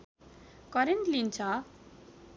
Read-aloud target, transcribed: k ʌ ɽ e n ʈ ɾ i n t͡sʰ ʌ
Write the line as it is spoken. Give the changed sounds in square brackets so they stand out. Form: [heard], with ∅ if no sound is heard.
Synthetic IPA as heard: k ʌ [ɾ] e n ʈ [l] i n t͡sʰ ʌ

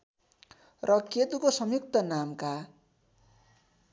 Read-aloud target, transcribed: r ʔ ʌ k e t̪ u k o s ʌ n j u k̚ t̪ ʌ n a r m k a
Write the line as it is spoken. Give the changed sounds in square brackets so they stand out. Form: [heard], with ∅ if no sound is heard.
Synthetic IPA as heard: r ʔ ʌ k e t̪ u k o s ʌ [m] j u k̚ t̪ ʌ n a [∅] m k a

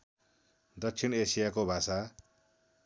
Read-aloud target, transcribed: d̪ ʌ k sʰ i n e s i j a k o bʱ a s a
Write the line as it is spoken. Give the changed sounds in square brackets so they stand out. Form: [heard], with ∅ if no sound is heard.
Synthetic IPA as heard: d̪ ʌ k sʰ i n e s i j a k o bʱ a s a

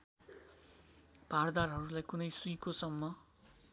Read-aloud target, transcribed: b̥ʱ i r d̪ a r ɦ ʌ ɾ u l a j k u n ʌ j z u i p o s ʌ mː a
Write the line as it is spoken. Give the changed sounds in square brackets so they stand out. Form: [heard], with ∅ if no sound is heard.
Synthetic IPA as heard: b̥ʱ [a] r d̪ a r ɦ ʌ ɾ u l a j k u n ʌ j [s] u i [k] o s ʌ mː [ʌ]

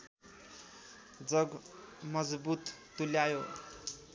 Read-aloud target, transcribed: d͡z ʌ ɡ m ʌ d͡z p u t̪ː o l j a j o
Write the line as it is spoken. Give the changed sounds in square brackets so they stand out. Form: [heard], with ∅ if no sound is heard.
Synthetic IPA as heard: d͡z ʌ ɡ m ʌ d͡z [b] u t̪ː [u] l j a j o

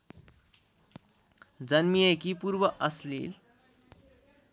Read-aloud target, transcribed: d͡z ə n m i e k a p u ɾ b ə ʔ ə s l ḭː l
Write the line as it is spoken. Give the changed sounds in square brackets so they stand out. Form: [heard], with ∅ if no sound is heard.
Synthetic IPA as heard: d͡z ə n m i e k [i] p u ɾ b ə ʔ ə s l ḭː l

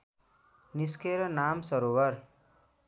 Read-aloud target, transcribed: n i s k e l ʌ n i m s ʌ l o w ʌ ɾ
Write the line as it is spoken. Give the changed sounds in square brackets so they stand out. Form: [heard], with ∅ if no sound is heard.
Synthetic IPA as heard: n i s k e [ɾ] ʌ n [a] m s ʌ [ɾ] o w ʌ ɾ

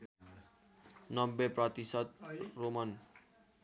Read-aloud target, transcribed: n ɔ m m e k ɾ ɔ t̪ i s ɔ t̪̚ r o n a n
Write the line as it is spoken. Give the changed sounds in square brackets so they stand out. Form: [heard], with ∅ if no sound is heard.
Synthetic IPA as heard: n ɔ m [b] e [p] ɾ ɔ t̪ i s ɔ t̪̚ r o [m] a n

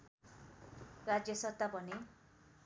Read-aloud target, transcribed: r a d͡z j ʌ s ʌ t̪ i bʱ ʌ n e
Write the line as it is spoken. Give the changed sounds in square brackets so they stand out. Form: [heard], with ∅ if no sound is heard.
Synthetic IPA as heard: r a d͡z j ʌ s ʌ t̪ [a] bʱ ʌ n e

